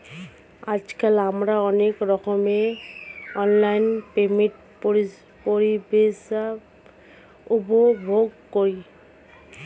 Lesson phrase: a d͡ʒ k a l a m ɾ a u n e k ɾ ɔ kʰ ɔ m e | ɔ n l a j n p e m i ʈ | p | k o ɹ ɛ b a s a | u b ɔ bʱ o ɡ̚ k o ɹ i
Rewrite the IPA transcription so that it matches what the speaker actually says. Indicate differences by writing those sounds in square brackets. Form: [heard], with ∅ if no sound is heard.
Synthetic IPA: a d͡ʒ k a l a m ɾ a [ɔ] n e k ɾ ɔ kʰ ɔ m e | ɔ n l a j n p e m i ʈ | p | [p] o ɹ [i] b [e] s a | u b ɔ bʱ o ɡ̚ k o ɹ i